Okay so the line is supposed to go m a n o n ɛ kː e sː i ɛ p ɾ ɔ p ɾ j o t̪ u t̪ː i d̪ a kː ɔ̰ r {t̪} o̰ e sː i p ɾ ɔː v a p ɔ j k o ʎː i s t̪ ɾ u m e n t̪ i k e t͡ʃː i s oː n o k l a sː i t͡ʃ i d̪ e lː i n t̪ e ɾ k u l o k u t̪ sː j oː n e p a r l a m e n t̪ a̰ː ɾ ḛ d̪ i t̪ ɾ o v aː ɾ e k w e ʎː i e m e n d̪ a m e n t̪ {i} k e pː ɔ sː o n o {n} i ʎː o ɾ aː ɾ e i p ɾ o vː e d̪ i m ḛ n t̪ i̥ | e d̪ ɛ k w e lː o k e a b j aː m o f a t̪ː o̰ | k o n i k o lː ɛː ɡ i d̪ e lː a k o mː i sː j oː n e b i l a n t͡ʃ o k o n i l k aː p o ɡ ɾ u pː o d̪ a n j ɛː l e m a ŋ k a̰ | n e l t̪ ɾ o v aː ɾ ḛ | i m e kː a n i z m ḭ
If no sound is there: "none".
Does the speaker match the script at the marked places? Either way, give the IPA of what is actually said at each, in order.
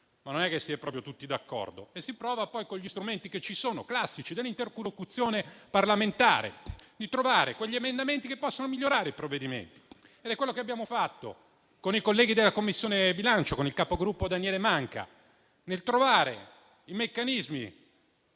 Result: d̪, i, m

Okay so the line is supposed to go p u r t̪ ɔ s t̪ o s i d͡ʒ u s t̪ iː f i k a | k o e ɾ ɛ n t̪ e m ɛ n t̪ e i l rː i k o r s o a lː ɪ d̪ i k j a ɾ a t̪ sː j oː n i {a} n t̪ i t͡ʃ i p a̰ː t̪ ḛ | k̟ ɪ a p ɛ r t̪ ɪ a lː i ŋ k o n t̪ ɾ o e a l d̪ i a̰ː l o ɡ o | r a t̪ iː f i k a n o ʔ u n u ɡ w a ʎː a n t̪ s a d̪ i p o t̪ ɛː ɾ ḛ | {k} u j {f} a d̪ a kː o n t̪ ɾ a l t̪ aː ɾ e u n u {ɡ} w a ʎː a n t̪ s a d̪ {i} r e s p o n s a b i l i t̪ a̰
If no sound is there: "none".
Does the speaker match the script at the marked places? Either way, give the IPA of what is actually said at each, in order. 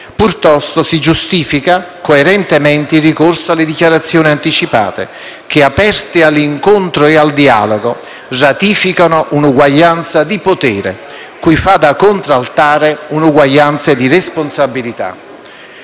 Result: a, k, f, ɡ, i

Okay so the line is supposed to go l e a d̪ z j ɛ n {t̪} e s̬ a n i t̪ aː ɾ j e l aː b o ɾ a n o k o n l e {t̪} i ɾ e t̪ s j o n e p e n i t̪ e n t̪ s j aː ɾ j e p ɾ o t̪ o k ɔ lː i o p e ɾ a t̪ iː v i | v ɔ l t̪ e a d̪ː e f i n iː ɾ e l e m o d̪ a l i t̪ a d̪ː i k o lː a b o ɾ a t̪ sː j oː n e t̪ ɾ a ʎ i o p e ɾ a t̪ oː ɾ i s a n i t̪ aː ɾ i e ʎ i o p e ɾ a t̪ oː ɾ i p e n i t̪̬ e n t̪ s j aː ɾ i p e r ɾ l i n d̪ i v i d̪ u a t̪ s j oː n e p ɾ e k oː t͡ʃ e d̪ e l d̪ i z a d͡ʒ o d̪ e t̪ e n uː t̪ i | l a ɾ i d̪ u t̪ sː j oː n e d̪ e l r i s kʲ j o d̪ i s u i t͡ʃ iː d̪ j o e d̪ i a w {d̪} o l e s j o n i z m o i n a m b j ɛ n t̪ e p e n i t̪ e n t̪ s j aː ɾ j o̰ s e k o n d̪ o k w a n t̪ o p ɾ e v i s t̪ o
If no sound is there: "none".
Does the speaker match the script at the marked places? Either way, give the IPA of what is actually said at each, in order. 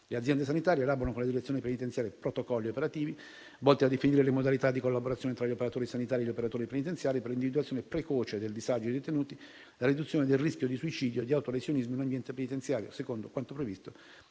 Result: d̪, d̪, t̪

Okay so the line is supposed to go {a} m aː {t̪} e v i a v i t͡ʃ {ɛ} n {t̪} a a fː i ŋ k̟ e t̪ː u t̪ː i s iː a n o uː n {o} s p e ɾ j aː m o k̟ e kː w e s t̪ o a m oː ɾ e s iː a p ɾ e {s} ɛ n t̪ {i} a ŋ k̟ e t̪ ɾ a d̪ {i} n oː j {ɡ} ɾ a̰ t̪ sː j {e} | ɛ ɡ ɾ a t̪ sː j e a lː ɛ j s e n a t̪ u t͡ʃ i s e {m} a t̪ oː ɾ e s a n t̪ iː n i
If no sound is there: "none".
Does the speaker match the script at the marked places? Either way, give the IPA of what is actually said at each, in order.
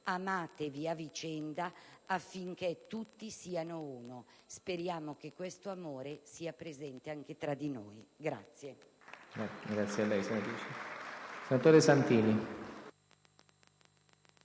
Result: a, t̪, ɛ, d̪, o, z, e, i, ɡ, e, n

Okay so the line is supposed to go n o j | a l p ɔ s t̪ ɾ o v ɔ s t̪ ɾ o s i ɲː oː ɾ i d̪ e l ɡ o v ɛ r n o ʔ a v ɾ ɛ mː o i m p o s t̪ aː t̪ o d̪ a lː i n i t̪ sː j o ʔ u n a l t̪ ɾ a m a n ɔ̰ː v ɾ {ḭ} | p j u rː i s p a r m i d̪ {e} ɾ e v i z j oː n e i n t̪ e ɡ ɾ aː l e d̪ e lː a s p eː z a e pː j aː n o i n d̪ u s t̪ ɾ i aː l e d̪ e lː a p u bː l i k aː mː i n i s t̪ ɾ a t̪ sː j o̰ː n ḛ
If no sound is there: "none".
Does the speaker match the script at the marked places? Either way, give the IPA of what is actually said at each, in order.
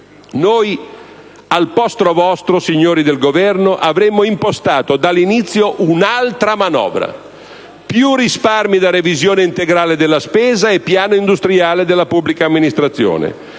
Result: a̰, a

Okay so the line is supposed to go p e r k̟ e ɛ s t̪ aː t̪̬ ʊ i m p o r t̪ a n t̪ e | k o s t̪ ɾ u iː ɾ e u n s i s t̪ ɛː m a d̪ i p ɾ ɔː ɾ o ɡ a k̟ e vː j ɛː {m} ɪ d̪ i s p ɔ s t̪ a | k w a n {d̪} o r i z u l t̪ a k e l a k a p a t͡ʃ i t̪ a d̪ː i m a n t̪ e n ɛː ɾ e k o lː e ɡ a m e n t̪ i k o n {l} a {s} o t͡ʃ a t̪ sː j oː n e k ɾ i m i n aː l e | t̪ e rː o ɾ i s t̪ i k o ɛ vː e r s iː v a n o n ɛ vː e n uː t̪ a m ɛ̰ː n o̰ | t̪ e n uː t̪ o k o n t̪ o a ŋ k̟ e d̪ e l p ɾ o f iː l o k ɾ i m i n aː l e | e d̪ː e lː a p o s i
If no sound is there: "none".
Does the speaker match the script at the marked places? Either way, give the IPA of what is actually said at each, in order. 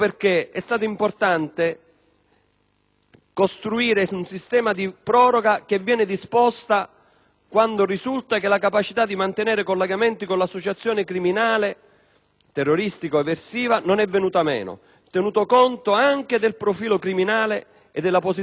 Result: n, d̪, l, sː

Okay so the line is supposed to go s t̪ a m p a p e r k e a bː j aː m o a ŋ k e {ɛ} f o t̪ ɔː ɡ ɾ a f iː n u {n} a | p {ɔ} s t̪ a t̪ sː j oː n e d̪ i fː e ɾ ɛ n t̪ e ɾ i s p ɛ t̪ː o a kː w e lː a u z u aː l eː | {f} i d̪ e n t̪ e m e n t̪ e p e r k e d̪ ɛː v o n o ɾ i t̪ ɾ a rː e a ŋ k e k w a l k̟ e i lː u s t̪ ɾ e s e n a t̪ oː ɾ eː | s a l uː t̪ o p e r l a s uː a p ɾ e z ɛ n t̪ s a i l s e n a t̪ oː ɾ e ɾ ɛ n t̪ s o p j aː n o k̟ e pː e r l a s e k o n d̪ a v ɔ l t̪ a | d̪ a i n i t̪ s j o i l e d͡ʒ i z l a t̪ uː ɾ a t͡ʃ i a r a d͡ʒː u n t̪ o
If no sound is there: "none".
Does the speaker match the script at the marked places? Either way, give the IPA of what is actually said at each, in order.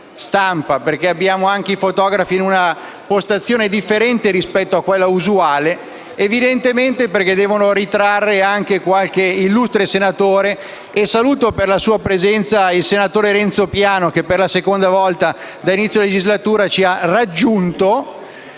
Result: i, n, o, v

